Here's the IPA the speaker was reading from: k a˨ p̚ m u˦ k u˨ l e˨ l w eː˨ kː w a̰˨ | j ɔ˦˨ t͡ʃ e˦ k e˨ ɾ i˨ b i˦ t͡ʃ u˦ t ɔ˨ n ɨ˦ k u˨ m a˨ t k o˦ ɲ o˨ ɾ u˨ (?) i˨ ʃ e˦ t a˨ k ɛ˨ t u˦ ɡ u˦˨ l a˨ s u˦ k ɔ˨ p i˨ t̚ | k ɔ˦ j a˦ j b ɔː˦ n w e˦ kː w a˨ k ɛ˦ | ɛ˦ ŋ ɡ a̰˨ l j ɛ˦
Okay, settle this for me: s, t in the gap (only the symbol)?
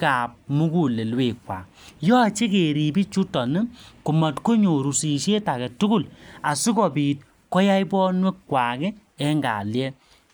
s